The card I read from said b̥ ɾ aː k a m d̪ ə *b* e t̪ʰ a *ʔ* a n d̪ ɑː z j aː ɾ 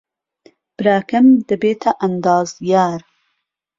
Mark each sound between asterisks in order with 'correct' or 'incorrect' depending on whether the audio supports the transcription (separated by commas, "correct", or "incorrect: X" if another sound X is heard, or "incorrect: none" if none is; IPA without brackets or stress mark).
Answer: correct, correct